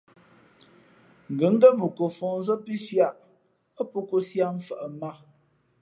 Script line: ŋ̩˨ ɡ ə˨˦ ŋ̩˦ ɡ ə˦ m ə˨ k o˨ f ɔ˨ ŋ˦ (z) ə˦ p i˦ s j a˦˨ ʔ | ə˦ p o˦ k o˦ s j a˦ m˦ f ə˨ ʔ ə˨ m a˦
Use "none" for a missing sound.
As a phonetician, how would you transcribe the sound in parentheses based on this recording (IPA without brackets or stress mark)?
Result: z